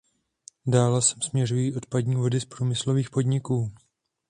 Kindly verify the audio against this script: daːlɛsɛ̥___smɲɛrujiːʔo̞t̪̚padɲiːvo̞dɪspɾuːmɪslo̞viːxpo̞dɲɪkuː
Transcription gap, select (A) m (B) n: A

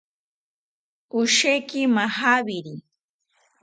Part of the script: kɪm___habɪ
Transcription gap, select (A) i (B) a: B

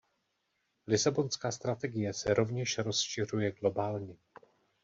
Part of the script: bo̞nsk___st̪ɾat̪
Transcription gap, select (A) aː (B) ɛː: A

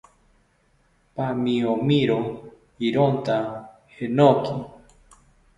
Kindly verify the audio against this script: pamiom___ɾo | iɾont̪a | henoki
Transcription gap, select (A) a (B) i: B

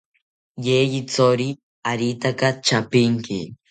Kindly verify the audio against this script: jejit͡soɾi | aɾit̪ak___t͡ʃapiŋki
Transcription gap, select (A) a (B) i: A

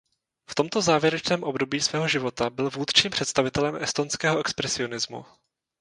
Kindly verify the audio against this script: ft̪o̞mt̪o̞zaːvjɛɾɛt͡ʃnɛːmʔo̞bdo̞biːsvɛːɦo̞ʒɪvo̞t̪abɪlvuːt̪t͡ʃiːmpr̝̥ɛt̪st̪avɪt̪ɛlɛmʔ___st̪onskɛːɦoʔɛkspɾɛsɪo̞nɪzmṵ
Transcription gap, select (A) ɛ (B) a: A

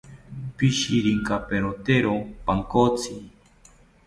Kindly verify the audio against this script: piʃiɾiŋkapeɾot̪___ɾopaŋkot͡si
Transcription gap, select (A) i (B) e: B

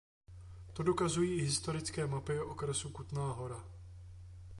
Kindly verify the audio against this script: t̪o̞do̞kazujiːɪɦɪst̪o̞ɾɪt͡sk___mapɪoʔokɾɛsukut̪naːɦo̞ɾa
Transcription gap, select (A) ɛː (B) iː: A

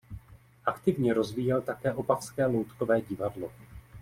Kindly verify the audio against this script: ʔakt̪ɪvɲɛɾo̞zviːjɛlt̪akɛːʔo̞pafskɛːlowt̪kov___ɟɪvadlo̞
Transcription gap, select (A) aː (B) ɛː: B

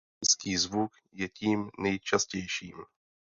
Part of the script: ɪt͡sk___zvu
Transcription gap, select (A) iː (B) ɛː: A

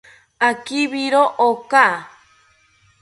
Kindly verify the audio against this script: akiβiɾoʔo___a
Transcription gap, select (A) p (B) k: B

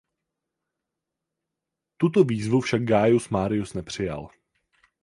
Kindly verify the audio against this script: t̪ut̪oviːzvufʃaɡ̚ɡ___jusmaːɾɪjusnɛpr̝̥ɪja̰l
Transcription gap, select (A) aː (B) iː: A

